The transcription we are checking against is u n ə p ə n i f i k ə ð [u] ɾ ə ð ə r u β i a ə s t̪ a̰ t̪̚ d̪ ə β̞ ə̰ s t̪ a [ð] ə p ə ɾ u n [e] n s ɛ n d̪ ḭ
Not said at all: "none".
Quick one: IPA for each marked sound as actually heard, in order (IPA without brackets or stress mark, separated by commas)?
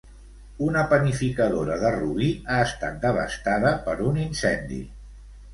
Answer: o, ð, i